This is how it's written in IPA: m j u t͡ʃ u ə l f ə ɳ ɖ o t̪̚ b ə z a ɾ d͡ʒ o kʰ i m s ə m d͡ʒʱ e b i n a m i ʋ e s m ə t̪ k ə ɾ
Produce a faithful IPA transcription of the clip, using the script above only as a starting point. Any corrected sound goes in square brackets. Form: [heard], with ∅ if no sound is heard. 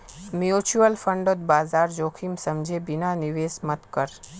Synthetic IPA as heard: m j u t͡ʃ u ə l f ə ɳ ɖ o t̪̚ b [a] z a ɾ d͡ʒ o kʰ i m s ə m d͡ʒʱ e b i n a [n] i ʋ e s m ə t̪ k ə ɾ